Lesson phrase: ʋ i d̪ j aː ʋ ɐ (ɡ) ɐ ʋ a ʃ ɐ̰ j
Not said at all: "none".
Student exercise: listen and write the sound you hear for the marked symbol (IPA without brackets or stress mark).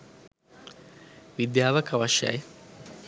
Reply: k